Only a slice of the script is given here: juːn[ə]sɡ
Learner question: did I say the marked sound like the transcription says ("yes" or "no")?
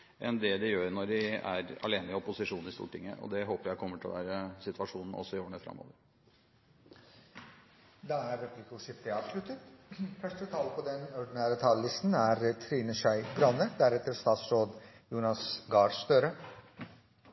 no